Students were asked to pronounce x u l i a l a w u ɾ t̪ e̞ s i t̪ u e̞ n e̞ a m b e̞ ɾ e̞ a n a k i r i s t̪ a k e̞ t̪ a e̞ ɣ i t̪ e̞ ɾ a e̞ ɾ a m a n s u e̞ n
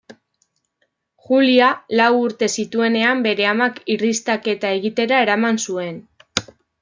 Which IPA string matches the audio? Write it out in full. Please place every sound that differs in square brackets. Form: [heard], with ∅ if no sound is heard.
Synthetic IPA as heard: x u l i a l a w u ɾ t̪ e̞ s i t̪ u e̞ n e̞ a m b e̞ ɾ e̞ a [m] a k i r i s t̪ a k e̞ t̪ a e̞ ɣ i t̪ e̞ ɾ a e̞ ɾ a m a n s u e̞ n